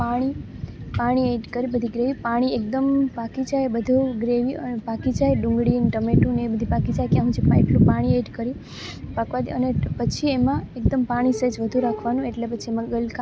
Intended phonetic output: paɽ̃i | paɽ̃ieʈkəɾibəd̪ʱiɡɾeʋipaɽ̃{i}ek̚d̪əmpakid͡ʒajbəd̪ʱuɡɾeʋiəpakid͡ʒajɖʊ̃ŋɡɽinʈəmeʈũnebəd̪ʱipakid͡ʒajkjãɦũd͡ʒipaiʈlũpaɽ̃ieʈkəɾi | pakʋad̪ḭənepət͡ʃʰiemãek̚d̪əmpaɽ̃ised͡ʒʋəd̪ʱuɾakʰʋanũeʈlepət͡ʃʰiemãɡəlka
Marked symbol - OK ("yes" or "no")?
yes